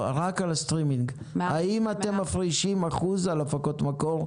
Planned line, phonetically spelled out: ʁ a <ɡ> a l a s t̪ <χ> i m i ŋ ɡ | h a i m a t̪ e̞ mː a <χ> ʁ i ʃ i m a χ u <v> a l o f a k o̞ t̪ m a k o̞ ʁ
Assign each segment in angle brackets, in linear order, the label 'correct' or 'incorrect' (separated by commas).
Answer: incorrect, incorrect, incorrect, incorrect